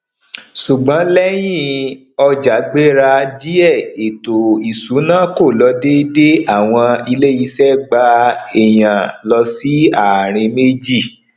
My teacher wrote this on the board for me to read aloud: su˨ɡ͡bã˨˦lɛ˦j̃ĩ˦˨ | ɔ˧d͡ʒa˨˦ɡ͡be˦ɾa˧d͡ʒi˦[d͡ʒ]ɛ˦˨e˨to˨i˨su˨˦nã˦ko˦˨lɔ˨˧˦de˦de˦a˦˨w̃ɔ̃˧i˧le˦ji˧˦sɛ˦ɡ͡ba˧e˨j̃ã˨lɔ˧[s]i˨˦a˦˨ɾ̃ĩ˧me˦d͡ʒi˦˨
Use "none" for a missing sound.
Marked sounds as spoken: none, s

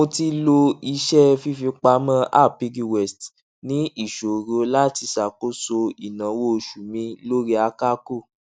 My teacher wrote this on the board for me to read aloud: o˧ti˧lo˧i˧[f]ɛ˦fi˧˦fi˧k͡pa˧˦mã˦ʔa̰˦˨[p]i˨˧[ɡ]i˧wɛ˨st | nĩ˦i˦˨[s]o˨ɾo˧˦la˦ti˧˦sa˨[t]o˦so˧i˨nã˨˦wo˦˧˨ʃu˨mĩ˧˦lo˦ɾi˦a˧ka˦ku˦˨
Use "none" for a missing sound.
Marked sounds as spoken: ʃ, p, ɡ, ʃ, k

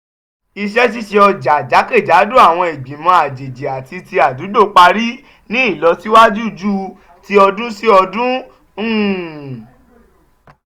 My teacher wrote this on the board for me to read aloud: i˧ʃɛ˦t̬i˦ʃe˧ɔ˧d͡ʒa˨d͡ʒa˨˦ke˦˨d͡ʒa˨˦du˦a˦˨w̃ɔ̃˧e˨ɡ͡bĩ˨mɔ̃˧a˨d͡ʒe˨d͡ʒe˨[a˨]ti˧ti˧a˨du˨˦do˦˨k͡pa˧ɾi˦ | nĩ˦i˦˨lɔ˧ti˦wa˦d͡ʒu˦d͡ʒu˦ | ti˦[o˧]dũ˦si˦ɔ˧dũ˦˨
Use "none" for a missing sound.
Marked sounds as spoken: a˨, ɔ˧

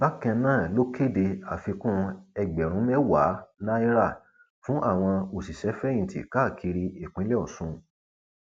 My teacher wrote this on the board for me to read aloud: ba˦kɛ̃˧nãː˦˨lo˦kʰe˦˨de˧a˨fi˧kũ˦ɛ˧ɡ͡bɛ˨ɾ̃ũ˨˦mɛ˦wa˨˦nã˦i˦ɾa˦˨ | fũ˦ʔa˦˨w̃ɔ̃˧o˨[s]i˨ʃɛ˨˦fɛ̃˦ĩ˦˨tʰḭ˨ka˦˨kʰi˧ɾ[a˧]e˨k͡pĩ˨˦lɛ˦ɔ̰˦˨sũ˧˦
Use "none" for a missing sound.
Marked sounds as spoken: s, i˧

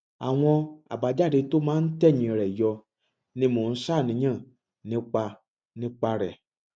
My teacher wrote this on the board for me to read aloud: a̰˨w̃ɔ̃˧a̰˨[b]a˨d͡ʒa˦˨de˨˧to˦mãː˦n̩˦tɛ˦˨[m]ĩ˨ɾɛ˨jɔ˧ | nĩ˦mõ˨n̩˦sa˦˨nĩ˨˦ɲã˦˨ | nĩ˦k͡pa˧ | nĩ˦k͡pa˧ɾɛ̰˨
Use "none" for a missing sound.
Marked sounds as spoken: b, ɲ

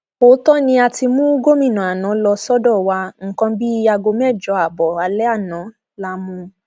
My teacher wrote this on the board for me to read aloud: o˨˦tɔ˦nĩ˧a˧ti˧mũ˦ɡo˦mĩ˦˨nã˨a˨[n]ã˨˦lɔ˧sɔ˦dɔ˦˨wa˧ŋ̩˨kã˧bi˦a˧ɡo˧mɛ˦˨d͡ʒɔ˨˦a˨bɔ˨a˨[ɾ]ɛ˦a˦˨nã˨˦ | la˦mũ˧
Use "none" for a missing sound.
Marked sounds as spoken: n, l

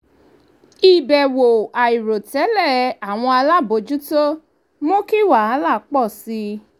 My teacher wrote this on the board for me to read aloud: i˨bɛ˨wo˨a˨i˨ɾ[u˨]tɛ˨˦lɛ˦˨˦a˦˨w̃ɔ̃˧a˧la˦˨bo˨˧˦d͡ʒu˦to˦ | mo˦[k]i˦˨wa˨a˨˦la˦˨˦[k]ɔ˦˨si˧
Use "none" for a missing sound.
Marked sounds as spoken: o˨, k, k͡p

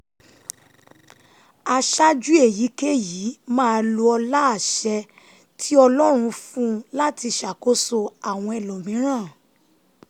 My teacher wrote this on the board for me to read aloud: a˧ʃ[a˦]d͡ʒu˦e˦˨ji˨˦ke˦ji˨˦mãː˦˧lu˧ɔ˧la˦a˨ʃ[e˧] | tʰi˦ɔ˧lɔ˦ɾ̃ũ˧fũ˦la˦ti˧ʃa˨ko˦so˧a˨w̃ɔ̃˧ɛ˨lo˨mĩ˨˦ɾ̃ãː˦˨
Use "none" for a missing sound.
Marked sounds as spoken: a˦, ɛ˧

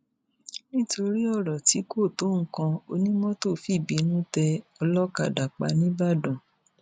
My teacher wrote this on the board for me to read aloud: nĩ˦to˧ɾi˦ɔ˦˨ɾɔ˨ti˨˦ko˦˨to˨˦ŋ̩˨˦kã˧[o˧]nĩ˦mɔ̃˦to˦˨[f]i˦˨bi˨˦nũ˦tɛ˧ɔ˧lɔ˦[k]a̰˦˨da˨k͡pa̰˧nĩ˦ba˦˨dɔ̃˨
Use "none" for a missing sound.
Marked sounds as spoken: o˧, f, k

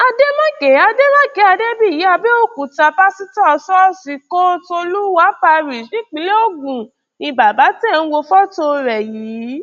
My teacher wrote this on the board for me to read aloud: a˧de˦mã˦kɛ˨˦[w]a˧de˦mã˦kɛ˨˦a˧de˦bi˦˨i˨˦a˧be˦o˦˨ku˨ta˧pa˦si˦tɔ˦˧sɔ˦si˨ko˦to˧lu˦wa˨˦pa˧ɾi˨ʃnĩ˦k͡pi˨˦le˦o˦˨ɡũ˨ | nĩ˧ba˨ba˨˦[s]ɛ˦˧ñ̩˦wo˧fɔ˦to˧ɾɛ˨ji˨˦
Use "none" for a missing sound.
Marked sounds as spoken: none, t

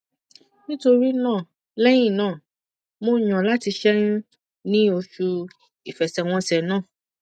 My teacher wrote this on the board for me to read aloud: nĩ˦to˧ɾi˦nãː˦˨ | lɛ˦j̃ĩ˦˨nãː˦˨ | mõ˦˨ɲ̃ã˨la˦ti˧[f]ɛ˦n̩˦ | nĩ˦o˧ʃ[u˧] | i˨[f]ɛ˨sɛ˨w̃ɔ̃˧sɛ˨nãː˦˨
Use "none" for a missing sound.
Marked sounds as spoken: ʃ, u˧, f

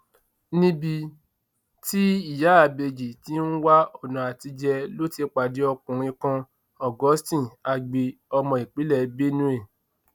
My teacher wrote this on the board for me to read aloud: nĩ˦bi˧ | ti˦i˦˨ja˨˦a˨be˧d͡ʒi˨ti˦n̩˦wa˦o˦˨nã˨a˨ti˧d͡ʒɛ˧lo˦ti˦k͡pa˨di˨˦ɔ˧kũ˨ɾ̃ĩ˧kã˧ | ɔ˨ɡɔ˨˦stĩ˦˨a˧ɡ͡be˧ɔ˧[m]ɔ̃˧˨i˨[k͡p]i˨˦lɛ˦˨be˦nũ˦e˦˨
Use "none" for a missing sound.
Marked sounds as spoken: m, k͡p

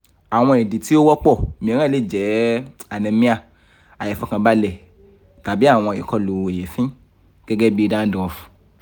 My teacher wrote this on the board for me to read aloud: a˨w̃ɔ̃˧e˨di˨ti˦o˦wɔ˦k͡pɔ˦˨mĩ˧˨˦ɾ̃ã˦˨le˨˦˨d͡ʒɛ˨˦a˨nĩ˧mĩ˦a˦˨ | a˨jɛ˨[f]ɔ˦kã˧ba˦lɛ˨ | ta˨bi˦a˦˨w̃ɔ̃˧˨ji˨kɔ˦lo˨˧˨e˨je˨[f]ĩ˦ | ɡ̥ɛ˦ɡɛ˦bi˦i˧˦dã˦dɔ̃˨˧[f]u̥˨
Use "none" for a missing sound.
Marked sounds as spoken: f, f, f

